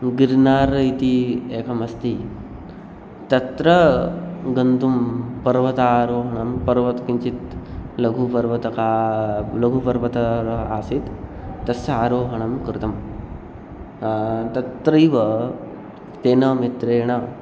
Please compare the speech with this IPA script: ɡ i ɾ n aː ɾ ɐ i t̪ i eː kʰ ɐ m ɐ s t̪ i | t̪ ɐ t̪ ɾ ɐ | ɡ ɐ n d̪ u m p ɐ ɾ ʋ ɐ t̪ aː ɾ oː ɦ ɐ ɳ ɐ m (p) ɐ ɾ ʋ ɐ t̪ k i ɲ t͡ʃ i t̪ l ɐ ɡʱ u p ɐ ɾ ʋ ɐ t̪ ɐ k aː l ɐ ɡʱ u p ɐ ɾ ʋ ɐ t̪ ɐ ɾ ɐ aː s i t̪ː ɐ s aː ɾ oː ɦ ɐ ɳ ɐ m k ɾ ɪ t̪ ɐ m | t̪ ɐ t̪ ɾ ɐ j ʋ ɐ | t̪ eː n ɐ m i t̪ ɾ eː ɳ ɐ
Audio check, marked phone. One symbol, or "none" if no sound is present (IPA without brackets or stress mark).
p